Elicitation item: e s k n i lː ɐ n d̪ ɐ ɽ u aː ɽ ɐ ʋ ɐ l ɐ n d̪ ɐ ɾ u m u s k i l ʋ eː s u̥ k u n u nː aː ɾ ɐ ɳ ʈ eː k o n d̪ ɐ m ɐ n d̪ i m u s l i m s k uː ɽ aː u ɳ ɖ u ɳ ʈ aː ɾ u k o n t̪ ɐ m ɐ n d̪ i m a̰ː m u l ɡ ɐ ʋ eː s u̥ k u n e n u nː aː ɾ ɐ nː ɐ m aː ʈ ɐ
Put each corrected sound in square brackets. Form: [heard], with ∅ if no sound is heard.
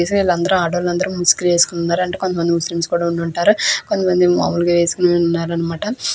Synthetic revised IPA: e s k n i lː ɐ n d̪ ɐ [ɾ] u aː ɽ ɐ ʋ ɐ l ɐ n d̪ ɐ ɾ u m u s k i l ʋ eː s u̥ k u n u nː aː ɾ ɐ ɳ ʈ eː k o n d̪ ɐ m ɐ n d̪ i m u s l i m s k uː ɽ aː u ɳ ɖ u ɳ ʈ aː ɾ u k o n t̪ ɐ m ɐ n d̪ i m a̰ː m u l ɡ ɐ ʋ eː s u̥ k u n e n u nː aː ɾ ɐ nː ɐ m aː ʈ ɐ